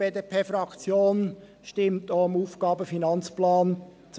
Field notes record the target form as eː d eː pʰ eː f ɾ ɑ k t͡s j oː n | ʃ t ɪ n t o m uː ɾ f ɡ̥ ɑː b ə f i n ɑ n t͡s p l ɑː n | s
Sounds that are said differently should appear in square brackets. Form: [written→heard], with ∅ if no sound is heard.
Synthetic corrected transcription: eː d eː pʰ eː f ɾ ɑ k t͡s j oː n | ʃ t ɪ [n→m] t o m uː [ɾ→∅] f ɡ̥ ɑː b ə f i n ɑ n t͡s p l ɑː n | [s→t͡s]